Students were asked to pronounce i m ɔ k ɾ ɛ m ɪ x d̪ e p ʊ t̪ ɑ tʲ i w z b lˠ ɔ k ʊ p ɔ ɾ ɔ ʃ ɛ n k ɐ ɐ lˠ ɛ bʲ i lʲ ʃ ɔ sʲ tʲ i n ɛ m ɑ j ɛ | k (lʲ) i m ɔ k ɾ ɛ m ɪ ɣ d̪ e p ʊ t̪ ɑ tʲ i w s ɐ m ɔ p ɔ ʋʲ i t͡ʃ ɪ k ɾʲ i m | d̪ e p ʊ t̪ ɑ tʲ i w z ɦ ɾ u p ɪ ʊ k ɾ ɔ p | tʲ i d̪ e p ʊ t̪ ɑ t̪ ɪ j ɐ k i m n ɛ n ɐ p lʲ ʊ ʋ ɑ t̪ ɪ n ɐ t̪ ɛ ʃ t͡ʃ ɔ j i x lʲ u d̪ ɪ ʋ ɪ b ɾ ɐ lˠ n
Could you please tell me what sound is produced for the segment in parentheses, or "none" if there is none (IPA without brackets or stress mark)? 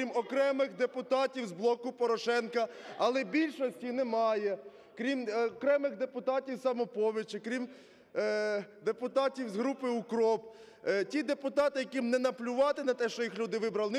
ɾʲ